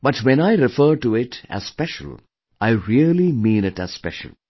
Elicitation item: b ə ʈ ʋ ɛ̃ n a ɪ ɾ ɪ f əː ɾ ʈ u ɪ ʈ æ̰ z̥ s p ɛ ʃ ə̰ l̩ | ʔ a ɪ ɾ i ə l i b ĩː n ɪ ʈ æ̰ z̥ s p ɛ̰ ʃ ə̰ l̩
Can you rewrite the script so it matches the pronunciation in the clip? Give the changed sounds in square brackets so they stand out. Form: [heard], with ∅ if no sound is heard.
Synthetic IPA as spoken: b [ʌ] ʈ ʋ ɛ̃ n a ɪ ɾ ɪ f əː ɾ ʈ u ɪ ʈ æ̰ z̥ s p ɛ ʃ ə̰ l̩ | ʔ a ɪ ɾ i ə l i [m] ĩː n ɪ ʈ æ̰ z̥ s p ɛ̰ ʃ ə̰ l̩